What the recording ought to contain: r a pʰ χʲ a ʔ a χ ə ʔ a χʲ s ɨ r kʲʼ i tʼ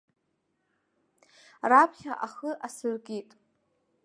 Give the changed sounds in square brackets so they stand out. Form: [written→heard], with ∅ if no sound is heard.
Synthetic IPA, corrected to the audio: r a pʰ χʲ a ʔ a χ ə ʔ a [χʲ→∅] s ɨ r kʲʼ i tʼ